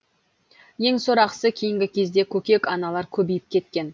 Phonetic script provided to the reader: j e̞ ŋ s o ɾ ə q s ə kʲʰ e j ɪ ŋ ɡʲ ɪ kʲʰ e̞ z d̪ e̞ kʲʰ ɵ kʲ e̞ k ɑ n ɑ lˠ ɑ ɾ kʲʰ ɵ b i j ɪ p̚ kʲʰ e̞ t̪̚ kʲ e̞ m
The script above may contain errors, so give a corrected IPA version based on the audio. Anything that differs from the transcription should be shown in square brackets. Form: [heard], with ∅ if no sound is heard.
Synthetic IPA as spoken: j e̞ ŋ s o ɾ [ɑ] q s ə kʲʰ e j ɪ ŋ ɡʲ ɪ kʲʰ e̞ z d̪ e̞ kʲʰ ɵ kʲ e̞ k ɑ n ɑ lˠ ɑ ɾ kʲʰ ɵ b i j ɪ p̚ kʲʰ e̞ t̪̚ kʲ e̞ [n]